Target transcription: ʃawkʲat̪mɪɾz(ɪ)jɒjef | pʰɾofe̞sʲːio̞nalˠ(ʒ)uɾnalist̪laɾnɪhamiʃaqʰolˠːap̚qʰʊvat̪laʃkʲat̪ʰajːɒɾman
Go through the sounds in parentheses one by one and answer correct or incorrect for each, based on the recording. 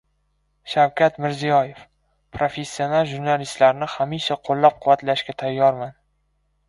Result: incorrect: i, correct

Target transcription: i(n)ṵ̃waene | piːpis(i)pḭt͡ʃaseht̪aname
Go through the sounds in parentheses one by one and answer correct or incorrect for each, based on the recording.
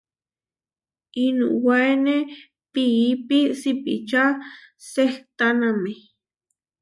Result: correct, correct

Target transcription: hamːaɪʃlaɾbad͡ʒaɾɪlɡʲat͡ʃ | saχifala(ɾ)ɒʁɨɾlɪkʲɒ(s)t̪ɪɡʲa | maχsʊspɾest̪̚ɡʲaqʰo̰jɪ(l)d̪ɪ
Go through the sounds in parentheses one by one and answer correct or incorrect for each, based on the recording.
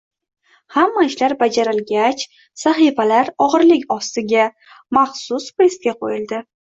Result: correct, correct, correct

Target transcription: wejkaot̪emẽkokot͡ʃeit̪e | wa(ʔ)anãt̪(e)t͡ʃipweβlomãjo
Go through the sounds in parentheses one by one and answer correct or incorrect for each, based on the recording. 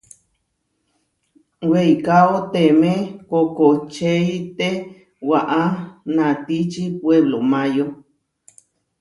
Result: correct, incorrect: i

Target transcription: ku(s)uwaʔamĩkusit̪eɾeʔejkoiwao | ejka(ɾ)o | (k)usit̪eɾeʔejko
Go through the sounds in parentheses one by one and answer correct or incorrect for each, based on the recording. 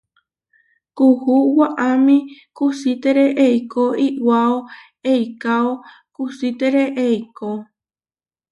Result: incorrect: h, incorrect: none, correct

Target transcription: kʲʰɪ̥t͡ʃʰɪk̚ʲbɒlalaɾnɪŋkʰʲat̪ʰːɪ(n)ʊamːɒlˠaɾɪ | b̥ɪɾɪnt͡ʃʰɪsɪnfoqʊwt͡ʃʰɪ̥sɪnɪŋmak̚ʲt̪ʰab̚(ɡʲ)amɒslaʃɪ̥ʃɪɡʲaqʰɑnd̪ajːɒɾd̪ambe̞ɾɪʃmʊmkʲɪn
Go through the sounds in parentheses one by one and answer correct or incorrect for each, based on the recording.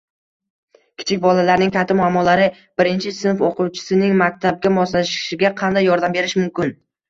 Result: incorrect: m, correct

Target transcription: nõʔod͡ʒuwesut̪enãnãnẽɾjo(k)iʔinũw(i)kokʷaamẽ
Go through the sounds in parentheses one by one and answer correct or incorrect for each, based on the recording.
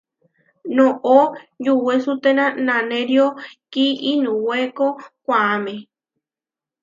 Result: correct, incorrect: e

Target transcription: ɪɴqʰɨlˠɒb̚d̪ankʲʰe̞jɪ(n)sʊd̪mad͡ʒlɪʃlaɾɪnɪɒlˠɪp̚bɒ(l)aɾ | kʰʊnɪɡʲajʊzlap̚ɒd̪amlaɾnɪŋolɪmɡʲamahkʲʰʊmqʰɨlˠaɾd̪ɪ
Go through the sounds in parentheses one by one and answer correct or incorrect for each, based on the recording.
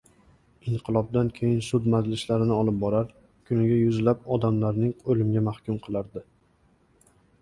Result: correct, incorrect: ɾ

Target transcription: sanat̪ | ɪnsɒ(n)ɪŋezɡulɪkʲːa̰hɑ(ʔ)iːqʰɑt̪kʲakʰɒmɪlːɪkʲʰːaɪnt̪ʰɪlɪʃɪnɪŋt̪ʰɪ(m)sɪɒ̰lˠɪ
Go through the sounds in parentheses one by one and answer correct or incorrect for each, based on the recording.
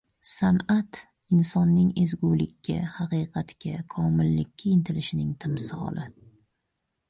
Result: incorrect: nː, incorrect: q, correct

